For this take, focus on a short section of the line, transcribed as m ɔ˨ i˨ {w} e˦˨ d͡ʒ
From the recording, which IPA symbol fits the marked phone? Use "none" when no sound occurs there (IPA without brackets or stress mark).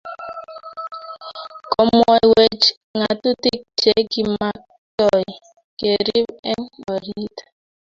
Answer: w